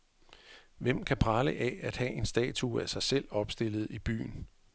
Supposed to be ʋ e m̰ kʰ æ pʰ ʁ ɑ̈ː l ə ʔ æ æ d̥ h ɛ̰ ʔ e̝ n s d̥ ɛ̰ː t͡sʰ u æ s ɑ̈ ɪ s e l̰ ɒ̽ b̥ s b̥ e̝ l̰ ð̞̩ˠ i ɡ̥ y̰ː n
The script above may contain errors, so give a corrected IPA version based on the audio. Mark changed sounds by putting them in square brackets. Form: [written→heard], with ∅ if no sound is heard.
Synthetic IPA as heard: ʋ e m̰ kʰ æ pʰ ʁ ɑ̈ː l ə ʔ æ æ d̥ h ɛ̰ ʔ e̝ n s d̥ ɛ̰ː t͡sʰ u æ s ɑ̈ ɪ s e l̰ ɒ̽ b̥ s [b̥→d̥] e̝ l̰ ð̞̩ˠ i [ɡ̥→b̥] y̰ː n